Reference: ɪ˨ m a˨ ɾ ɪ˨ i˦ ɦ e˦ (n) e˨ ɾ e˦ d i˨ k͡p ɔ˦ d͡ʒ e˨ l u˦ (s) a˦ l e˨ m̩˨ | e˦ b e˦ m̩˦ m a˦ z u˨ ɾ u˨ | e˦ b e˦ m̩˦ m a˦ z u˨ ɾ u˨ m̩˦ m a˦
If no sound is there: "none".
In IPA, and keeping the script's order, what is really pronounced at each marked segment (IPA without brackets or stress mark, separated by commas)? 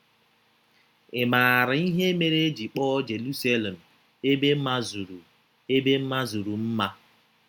m, s